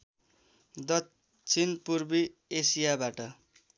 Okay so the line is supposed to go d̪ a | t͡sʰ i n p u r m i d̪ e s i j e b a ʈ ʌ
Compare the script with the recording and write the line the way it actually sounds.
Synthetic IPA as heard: d̪ ʌ | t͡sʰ i n p u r b i e s i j a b a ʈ ʌ

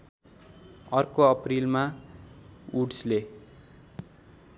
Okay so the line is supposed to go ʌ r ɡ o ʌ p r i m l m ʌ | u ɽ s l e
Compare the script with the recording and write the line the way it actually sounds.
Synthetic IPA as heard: ʌ r k o ʌ p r i l m a | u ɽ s l e

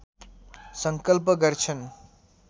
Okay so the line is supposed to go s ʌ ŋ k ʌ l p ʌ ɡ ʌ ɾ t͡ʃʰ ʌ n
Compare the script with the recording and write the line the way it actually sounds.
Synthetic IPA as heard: s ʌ ŋ k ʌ l p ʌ ɡ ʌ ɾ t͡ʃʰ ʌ n

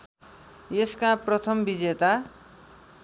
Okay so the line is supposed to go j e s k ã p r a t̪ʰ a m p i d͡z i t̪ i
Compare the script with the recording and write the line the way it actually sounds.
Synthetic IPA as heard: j e s k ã p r ʌ t̪ʰ ʌ m b i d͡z e t̪ a

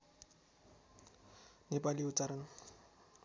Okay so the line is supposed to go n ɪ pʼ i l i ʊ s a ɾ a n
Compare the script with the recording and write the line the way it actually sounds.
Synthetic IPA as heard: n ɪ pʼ a l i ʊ t͡s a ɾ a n

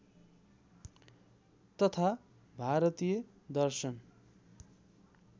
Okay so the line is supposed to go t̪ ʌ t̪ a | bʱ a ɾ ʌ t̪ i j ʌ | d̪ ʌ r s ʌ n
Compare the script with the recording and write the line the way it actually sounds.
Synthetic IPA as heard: t̪ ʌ t̪ʰ a | bʱ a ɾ ʌ t̪ i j ʌ | d̪ ʌ r s ʌ n

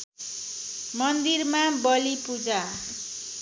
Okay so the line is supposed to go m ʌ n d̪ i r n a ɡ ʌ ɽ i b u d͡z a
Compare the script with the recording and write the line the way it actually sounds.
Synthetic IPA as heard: m ʌ n d̪ i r m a b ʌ l i p u d͡z a

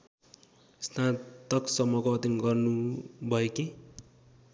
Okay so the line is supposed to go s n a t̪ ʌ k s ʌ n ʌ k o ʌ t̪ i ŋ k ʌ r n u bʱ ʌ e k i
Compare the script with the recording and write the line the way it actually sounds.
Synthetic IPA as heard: s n a t̪ ʌ k s ʌ m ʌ k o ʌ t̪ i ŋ ɡ ʌ r n u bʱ ʌ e k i

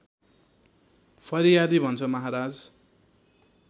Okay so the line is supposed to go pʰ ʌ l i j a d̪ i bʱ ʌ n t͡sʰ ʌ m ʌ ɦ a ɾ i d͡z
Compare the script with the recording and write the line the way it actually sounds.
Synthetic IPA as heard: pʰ ʌ ɾ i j a d̪ i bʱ ʌ n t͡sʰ ʌ m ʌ ɦ a ɾ a d͡z

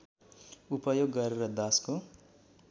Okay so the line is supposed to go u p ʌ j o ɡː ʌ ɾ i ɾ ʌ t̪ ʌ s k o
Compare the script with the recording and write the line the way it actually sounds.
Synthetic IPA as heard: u p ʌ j o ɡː ʌ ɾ e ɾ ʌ d̪ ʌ s k o

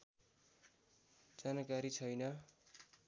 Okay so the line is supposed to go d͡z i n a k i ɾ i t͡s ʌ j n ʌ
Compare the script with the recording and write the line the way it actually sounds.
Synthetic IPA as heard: d͡z a n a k a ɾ i t͡sʰ ʌ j n ʌ

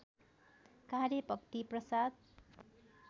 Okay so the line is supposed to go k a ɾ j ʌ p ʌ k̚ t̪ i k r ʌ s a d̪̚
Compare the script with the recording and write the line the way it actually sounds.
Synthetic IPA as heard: k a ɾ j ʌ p ʌ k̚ t̪ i p r ʌ s a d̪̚

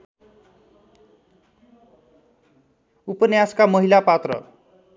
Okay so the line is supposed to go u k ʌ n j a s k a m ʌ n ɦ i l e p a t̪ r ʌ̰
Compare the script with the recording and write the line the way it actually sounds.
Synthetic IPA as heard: u p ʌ n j a s k a m ʌ ɦ i l a p a t̪ r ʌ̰

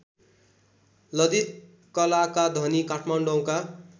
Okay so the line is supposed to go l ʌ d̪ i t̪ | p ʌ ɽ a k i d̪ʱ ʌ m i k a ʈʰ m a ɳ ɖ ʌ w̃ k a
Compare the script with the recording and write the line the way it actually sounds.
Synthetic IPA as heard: l ʌ d̪ i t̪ | k ʌ l a k a d̪ʱ ʌ n i k a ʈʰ m a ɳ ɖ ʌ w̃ k a

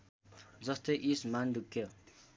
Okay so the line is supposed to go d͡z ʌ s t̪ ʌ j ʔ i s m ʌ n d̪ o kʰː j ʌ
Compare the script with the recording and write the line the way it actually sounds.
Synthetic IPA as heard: d͡z ʌ s t̪ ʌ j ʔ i s m a n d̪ u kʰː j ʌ

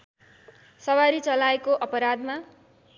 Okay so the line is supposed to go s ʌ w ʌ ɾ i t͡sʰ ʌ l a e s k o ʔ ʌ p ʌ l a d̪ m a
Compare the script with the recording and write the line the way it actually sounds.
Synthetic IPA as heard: s ʌ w a ɾ i t͡s ʌ l a e k o ʔ ʌ p ʌ ɾ a d̪ m a

